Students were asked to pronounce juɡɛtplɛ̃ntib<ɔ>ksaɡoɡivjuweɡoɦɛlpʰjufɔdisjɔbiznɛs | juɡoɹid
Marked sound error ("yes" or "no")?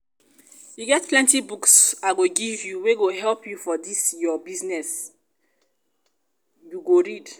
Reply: yes